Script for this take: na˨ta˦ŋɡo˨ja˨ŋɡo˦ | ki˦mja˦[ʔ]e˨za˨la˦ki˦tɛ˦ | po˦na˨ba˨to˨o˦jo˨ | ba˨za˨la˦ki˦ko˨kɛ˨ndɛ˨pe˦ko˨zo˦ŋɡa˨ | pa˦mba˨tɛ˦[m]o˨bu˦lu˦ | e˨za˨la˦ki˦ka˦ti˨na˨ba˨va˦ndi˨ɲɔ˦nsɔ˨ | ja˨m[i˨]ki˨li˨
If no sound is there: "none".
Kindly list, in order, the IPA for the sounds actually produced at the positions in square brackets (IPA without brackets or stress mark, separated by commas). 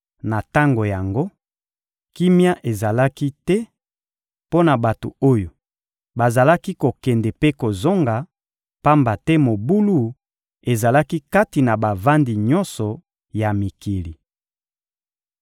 ʔ, m, i˨